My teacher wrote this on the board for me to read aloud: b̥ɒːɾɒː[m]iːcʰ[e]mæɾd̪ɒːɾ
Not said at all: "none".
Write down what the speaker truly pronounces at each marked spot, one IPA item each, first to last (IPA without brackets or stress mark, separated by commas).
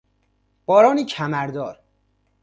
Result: n, æ